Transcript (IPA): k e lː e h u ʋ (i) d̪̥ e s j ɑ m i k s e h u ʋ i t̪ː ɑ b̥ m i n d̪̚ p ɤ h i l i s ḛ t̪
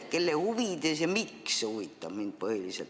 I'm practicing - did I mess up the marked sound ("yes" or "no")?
no